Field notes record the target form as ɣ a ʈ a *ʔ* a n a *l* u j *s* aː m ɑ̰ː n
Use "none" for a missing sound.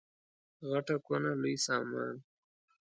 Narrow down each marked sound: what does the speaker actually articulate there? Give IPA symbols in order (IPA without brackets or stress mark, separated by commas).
k, l, s